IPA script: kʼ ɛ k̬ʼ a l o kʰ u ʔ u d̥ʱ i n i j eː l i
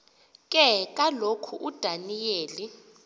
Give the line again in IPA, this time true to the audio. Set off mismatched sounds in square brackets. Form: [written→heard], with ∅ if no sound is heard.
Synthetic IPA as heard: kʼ ɛ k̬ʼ a l o kʰ u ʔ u d̥ʱ [i→a] n i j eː l i